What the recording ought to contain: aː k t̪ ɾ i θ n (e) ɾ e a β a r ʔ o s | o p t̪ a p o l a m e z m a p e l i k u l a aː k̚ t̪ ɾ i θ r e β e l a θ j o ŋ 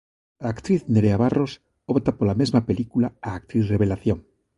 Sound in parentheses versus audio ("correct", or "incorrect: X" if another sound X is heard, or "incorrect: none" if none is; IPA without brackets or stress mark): correct